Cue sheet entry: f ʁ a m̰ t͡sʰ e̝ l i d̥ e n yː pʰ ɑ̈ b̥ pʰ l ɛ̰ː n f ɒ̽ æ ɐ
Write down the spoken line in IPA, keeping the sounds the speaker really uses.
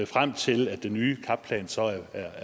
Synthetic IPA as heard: f ʁ a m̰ t͡sʰ e̝ l æ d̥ e n yː kʰ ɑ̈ b̥ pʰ l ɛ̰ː n s ɒ̽ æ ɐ

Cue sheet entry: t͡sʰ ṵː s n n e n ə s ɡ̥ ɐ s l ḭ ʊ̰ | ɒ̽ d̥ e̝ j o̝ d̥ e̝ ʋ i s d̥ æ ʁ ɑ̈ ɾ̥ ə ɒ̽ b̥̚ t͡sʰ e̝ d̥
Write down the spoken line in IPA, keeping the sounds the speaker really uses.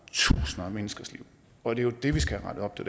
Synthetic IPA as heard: t͡sʰ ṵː s n m e n ə s ɡ̥ ɐ s l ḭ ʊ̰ | ɒ̽ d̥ e̝ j o̝ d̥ e̝ ʋ i s ɡ̥ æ ʁ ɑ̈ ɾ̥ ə ɒ̽ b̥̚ t͡sʰ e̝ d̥

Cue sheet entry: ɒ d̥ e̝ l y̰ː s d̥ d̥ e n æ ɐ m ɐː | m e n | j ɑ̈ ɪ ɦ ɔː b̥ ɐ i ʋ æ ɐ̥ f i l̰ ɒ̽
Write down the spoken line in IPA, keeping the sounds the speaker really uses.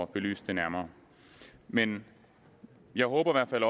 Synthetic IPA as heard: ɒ b̥ e̝ l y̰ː s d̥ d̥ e n æ ɐ m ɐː | m e n | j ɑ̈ ɪ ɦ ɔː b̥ ɐ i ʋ æ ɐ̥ f æ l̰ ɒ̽

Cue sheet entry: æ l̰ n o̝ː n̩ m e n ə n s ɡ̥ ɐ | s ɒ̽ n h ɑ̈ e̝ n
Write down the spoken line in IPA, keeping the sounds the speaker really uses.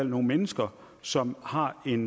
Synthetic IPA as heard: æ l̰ n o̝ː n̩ m e n ə s ɡ̥ ɐ | s ɒ̽ m h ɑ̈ e̝ n

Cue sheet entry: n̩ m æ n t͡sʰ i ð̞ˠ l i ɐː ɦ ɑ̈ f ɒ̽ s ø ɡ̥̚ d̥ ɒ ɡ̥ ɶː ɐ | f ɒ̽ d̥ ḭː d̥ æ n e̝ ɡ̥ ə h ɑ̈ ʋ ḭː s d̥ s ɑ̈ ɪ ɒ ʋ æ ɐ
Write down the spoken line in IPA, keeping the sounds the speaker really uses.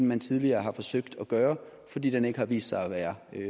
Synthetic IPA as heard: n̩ m æ n t͡sʰ i ð̞ˠ l i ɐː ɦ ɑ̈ f ɒ̽ s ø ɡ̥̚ d̥ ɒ ɡ̥ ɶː ɐ | f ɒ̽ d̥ ḭː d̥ e n e̝ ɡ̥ ə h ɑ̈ ʋ ḭː s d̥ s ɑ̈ ɪ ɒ ʋ æː ɐ

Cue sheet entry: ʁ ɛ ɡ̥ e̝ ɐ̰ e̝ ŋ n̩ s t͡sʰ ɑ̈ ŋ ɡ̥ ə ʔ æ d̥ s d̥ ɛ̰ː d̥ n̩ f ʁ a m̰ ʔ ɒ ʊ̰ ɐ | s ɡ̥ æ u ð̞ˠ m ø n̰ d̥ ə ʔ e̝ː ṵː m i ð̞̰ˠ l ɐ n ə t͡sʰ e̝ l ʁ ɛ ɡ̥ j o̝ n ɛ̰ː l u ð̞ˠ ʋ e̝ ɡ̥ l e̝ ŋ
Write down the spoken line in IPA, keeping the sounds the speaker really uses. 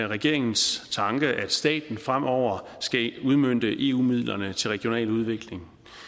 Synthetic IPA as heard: ʁ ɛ ɡ̥ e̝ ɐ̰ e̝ ŋ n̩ s t͡sʰ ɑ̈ ŋ ɡ̥ ə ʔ æ d̥ s d̥ ɛ̰ː d̥ n̩ f ʁ a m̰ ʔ ɒ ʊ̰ ɐ | s ɡ̥ æ u ð̞ˠ m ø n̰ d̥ ə ʔ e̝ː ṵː m i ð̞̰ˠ l ɐ n ə t͡sʰ e̝ l ʁ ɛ ɡ̥ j o̝ n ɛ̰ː l u ð̞ˠ ʋ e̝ ɡ̥ l e̝ ŋ

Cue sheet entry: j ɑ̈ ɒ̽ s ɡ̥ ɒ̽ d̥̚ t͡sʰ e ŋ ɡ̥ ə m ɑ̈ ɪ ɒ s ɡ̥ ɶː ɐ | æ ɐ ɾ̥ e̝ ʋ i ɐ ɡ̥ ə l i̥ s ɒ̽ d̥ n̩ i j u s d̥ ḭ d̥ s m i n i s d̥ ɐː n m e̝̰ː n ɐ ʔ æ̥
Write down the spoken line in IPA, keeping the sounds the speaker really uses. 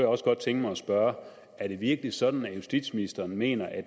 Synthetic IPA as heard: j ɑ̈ ɒ̽ s ɡ̥ ɒ̽ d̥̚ t͡sʰ e ŋ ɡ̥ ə m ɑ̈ ɪ ɒ s b̥ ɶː ɐ | æ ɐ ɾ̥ e̝ ʋ i ɐ ɡ̥ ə l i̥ s ɒ̽ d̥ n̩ æ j u s d̥ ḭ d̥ s m i n i s d̥ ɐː n m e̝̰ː n ɐ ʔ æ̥

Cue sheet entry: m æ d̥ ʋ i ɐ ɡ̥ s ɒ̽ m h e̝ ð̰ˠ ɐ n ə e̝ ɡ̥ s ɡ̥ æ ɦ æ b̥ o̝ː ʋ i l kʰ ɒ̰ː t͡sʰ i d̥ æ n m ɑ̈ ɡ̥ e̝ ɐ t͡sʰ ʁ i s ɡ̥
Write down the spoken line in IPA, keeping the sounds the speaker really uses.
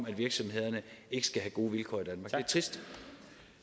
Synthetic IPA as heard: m æ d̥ ʋ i ɐ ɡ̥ s ɒ̽ m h e̝ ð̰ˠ ɐ n ə e̝ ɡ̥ s ɡ̥ æ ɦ æ ɡ̥ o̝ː ʋ i l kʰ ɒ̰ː i d̥ æ n m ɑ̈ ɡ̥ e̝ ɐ t͡sʰ ʁ i s d̥

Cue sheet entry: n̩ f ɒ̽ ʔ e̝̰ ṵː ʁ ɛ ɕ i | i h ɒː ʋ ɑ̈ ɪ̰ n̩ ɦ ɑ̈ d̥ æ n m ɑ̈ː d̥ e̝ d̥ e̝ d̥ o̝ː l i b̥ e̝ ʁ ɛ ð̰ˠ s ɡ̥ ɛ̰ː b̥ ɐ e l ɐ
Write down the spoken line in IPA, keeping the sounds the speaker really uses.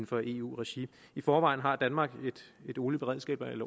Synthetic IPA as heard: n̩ f ɒ̽ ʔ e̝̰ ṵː ʁ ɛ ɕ i | i f ɒː ʋ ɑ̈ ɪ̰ n̩ ɦ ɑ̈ d̥ æ n m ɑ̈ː ɡ̥ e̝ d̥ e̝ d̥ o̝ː l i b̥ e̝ ʁ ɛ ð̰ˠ s ɡ̥ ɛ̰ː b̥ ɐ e l ɐ

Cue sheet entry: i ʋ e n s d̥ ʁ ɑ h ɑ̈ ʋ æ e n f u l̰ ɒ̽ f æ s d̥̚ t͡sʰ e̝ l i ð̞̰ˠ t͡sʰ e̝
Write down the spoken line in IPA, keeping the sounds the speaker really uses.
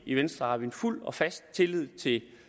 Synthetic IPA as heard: i ʋ e n s d̥ ʁ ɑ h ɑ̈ ʋ i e n f u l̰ ɒ̽ f æ s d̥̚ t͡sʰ e̝ l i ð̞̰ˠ t͡sʰ e̝

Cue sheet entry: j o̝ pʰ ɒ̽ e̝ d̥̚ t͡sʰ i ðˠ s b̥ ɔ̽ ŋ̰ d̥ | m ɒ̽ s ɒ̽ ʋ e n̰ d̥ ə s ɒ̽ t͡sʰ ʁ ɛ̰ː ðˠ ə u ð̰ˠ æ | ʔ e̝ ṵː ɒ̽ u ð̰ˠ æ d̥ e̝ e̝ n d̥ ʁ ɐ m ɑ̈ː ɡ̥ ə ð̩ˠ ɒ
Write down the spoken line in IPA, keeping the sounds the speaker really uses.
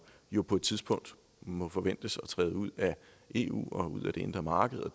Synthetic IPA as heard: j o̝ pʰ ɒ̽ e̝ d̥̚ t͡sʰ i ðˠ s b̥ ɔ̽ ŋ̰ d̥ | m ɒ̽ f ɒ̽ ʋ e n̰ d̥ ə s ɒ̽ t͡sʰ ʁ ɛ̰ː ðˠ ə u ð̰ˠ æ | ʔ e̝ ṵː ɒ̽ u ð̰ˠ æ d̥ e̝ e̝ n d̥ ʁ ɐ m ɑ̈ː ɡ̥ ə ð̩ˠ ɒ

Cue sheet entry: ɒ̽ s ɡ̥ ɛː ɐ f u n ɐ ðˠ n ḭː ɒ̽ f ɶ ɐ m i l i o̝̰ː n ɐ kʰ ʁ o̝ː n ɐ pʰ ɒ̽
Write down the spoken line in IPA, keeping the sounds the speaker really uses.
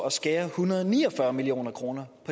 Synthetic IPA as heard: ɒ̽ s ɡ̥ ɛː ɐ h u n ɐ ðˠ n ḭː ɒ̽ f ɶ ɐ m i l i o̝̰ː n ɐ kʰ ʁ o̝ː n ɐ pʰ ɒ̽

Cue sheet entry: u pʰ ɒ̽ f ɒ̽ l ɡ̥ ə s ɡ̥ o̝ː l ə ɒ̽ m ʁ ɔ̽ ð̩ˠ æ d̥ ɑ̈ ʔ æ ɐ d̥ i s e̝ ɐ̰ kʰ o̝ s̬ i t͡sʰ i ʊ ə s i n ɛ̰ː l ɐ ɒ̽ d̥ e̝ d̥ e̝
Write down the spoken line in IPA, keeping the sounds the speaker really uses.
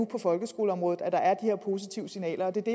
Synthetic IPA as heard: u pʰ ɒ̽ f ɒ̽ l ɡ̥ ə s ɡ̥ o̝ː l ə ɒ̽ m ʁ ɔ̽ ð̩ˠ æ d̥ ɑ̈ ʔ æ ɐ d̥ i h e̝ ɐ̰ pʰ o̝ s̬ i t͡sʰ i ʊ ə s i n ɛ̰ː l ɐ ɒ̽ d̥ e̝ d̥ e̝

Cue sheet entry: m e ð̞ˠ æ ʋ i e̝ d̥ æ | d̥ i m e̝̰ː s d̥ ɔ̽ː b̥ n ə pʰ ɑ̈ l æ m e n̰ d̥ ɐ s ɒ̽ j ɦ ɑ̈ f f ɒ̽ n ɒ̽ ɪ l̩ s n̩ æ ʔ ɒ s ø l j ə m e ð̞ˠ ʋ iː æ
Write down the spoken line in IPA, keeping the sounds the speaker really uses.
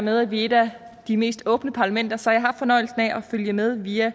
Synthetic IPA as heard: m e ð̞ˠ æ ʋ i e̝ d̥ æ | d̥ i m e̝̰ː s d̥ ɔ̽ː b̥ n ə pʰ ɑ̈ l æ m e n̰ d̥ ɐ s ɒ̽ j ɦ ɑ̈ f f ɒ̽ n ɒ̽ ɪ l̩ s n̩ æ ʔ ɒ f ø l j ə m e ð̞ˠ ʋ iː æ

